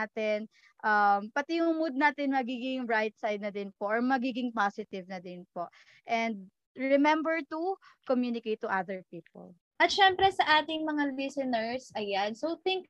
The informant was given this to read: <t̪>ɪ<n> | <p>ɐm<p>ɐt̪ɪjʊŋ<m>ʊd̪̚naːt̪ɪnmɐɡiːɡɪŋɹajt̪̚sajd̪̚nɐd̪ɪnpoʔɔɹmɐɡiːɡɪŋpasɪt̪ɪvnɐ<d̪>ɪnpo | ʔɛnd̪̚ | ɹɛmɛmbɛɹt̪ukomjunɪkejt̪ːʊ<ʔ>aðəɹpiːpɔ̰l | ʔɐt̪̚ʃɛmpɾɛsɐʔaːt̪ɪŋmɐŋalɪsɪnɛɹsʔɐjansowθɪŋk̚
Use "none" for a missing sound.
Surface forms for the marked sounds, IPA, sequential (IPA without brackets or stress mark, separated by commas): t̪, n, ʔ, p, m, d̪, ʔ